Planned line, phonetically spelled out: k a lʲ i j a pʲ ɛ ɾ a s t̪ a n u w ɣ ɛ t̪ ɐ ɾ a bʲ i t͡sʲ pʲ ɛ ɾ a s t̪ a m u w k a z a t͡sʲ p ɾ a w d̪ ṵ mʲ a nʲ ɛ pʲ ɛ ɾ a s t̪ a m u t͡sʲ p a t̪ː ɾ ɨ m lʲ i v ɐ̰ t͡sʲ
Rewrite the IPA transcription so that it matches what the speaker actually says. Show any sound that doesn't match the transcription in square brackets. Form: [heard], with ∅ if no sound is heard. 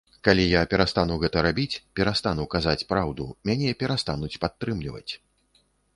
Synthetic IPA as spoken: k a lʲ i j a pʲ ɛ ɾ a s t̪ a n u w ɣ ɛ t̪ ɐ ɾ a bʲ i t͡sʲ pʲ ɛ ɾ a s t̪ a [n] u w k a z a t͡sʲ p ɾ a w d̪ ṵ mʲ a nʲ ɛ pʲ ɛ ɾ a s t̪ a [n] u t͡sʲ p a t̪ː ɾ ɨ m lʲ i v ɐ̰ t͡sʲ

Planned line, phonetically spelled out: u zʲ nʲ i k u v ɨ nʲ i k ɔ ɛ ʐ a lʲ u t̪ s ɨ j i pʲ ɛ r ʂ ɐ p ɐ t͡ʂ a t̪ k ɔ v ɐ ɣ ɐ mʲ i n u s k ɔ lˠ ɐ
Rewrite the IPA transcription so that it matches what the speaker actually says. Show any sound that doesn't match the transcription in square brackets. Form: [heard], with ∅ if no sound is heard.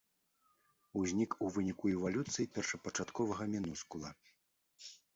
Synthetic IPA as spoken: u zʲ nʲ i k u v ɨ nʲ i k [u] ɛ [v] a lʲ u t̪ s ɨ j i pʲ ɛ r ʂ ɐ p ɐ t͡ʂ a t̪ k ɔ v ɐ ɣ ɐ mʲ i n u s k [u] lˠ ɐ

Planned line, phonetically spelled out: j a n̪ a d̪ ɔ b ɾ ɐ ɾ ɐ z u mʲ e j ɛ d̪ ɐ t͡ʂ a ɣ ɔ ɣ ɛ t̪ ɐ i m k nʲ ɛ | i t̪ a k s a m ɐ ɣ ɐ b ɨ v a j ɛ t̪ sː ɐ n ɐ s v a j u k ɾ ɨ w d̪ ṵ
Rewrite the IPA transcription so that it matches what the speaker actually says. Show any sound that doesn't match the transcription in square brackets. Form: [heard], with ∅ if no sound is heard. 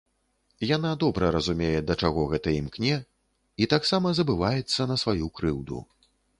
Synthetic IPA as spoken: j a n̪ a d̪ ɔ b ɾ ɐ ɾ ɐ z u mʲ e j ɛ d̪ ɐ t͡ʂ a ɣ ɔ ɣ ɛ t̪ ɐ i m k nʲ ɛ | i t̪ a k s a m ɐ [z] ɐ b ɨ v a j ɛ t̪ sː ɐ n ɐ s v a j u k ɾ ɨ w d̪ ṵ

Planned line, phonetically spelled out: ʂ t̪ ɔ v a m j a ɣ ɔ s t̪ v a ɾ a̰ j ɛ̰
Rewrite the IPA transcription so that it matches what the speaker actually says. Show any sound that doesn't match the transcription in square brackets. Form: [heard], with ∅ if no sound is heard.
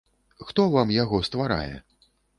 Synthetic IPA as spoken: [x] t̪ ɔ v a m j a ɣ ɔ s t̪ v a ɾ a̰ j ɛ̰

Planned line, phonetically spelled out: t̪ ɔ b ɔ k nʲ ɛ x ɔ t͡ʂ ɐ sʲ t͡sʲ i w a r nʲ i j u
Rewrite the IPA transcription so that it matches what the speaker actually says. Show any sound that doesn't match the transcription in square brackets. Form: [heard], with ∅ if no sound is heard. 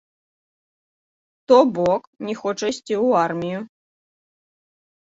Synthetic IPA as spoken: t̪ ɔ b ɔ k nʲ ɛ x ɔ t͡ʂ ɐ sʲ t͡sʲ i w a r [mʲ] i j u

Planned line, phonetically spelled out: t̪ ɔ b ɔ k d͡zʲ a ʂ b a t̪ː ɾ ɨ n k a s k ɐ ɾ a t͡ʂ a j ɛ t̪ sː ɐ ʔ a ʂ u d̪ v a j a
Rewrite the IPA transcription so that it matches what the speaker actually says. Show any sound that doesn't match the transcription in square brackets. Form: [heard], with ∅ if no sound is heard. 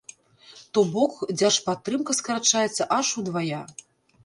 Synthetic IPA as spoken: t̪ ɔ b ɔ k d͡zʲ a ʂ [p] a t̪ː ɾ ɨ [m] k [ɐ] s k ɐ ɾ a t͡ʂ a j ɛ t̪ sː ɐ ʔ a ʂ u d̪ v a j a

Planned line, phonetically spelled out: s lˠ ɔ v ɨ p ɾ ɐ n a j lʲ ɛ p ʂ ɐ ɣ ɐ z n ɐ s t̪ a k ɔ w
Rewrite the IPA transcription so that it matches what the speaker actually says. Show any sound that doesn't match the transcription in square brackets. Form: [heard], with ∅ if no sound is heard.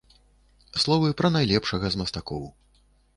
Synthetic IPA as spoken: s lˠ ɔ v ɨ p ɾ ɐ n a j lʲ ɛ p ʂ ɐ ɣ ɐ z [m] ɐ s t̪ a k ɔ w

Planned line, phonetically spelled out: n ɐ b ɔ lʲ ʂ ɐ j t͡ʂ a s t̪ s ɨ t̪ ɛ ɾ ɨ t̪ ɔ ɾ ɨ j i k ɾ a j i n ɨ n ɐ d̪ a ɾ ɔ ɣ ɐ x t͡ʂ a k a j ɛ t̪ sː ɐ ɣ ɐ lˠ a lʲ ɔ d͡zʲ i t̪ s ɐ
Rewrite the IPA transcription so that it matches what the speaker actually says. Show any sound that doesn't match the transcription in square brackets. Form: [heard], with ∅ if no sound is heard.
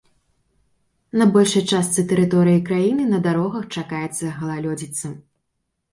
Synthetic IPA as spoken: n ɐ b ɔ lʲ ʂ ɐ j t͡ʂ a s t̪ s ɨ t̪ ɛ ɾ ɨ t̪ ɔ ɾ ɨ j i k ɾ a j i n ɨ n ɐ d̪ a ɾ ɔ ɣ ɐ x t͡ʂ a k a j ɛ t̪ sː ɐ ɣ ɐ lˠ a lʲ ɔ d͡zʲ i t̪ s ɐ

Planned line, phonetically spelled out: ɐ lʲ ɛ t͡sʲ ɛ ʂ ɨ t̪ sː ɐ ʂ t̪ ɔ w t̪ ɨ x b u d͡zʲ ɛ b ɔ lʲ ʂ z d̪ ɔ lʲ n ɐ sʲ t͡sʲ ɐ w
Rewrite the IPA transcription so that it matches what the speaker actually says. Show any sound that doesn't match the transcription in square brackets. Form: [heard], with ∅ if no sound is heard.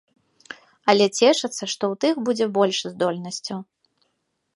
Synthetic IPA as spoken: ɐ lʲ ɛ t͡sʲ ɛ ʂ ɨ t̪ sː ɐ ʂ t̪ ɔ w t̪ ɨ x b u d͡zʲ ɛ b ɔ lʲ ʂ z d̪ ɔ lʲ n ɐ sʲ t͡sʲ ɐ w

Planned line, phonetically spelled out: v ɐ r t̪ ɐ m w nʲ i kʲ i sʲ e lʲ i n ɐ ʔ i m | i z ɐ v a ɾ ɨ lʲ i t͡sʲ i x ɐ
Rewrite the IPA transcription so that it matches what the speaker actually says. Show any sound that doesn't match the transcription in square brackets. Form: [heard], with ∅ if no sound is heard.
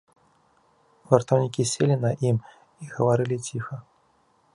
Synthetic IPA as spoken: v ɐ r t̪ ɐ [∅] w nʲ i kʲ i sʲ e lʲ i n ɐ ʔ i m | i [ɣ] ɐ v a ɾ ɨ lʲ i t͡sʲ i x ɐ

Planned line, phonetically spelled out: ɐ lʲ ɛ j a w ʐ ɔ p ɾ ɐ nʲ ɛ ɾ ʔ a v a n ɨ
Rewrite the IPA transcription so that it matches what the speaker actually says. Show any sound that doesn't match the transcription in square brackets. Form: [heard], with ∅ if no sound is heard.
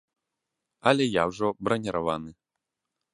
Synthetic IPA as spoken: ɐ lʲ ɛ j a w ʐ ɔ [b] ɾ ɐ nʲ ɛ ɾ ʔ a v a n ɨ

